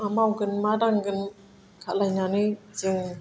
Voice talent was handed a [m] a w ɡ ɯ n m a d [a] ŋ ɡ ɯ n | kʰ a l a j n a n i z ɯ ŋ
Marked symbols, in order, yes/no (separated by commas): yes, yes